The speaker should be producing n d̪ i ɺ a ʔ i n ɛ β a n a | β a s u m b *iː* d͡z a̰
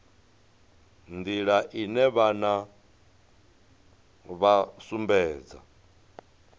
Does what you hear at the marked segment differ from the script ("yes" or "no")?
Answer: yes